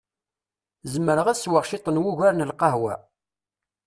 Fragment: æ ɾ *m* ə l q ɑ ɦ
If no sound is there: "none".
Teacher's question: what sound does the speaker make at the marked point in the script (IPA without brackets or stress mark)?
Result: n